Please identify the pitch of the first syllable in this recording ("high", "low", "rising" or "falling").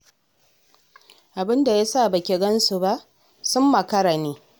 low